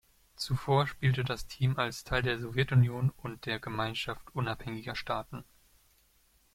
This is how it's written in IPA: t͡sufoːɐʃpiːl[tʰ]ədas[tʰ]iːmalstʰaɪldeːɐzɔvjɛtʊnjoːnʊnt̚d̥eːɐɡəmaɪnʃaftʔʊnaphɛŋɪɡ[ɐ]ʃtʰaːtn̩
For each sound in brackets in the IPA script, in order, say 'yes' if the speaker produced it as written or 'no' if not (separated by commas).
no, yes, yes